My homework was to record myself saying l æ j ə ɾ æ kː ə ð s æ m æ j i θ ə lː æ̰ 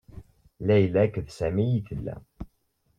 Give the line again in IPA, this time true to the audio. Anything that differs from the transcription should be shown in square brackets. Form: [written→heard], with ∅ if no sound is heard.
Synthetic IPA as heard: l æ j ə [ɾ→l] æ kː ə ð s æ m [æ→i] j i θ ə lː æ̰